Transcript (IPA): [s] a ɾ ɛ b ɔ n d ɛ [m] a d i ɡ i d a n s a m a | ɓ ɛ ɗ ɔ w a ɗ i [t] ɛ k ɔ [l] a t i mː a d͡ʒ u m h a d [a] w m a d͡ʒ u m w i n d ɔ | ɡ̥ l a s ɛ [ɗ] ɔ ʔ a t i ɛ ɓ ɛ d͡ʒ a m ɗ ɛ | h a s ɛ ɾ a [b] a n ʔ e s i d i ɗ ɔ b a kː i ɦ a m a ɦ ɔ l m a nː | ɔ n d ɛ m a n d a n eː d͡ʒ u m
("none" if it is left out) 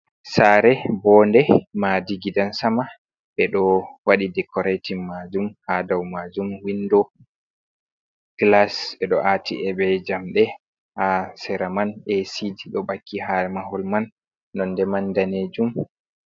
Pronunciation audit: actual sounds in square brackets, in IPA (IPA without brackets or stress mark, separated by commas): s, m, d, ɾ, a, ɗ, m